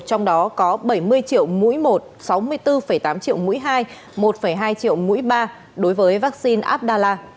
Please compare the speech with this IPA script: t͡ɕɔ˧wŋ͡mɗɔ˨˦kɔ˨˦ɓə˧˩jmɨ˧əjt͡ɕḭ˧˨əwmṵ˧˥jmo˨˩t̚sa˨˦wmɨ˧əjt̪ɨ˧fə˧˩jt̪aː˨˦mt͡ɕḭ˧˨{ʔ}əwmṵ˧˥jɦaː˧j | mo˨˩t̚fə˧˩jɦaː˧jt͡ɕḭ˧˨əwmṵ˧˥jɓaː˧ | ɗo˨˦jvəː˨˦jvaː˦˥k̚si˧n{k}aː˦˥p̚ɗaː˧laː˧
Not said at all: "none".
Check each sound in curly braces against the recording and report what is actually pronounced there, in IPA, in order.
none, ʔ

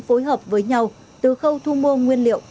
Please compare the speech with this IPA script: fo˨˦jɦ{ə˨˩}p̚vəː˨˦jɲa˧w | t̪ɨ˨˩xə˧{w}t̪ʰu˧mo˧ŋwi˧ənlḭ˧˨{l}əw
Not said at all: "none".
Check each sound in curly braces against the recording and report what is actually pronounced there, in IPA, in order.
əː˨˩, w, none

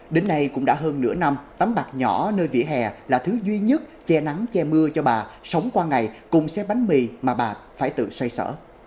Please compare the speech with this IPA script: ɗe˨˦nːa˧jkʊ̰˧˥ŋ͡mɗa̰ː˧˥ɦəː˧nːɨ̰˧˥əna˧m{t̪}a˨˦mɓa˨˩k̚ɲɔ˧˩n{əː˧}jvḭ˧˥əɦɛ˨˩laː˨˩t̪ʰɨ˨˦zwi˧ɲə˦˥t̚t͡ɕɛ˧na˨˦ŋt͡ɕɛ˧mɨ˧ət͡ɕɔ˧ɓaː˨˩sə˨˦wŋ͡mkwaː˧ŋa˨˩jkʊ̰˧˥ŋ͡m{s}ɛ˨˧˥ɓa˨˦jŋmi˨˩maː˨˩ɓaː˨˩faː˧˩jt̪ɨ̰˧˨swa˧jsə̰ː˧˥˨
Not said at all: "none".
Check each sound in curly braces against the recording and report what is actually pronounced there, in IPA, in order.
t̪, əː˧, s

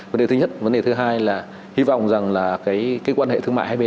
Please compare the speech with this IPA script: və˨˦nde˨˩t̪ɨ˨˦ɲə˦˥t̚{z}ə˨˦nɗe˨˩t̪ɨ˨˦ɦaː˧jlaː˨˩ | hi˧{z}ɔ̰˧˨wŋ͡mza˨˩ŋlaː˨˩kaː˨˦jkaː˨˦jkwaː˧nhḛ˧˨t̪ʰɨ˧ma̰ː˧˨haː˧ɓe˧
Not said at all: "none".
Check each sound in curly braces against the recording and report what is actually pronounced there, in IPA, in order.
v, v

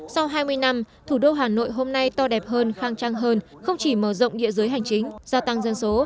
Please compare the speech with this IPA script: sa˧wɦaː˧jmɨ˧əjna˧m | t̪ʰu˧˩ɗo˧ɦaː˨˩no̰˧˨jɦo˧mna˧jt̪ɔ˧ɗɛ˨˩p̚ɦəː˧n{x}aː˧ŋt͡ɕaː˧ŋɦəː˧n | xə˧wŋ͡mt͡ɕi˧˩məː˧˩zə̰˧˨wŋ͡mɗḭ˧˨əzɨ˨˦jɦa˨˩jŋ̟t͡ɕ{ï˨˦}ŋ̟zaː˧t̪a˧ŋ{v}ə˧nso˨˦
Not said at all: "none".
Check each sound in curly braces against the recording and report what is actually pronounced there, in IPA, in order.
x, ï˨˦, z

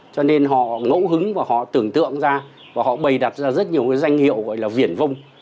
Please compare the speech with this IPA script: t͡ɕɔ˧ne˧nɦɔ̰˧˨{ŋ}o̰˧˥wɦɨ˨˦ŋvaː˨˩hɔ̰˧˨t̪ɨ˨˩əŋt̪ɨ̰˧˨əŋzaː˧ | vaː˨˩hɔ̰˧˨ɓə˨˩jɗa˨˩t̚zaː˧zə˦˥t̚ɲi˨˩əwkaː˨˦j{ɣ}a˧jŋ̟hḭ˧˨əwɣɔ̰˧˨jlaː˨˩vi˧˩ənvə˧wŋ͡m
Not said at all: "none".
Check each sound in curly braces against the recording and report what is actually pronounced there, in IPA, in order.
ŋ, z

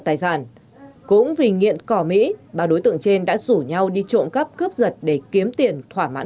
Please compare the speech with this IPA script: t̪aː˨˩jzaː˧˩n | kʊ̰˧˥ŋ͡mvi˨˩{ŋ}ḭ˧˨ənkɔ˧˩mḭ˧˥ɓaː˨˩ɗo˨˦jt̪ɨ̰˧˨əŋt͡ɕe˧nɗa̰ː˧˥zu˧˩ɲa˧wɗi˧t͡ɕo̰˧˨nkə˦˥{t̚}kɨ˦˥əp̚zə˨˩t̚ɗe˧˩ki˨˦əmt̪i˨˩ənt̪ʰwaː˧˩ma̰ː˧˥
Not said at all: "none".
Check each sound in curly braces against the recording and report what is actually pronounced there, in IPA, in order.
ŋ, p̚

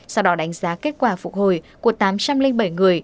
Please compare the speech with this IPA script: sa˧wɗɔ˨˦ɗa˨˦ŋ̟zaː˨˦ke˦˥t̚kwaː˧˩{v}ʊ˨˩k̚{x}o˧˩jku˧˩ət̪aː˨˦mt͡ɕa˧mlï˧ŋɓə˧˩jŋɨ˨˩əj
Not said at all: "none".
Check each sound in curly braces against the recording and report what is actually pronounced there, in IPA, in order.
f, h

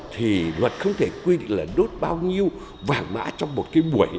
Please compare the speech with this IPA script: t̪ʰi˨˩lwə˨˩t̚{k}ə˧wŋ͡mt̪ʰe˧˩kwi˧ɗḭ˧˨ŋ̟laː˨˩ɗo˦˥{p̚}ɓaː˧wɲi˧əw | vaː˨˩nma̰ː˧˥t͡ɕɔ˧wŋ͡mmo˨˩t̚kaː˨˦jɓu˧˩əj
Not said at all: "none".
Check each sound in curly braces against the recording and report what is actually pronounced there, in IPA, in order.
x, t̚

